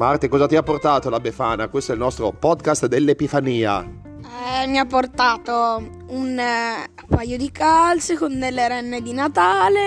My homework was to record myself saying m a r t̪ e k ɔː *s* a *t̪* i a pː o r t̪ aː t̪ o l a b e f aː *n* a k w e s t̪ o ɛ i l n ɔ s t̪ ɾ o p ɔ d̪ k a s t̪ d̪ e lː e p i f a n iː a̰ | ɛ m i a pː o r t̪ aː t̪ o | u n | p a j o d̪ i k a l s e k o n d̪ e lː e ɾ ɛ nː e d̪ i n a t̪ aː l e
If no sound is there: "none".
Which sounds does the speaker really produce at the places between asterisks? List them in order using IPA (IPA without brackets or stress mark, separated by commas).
z, t̪, n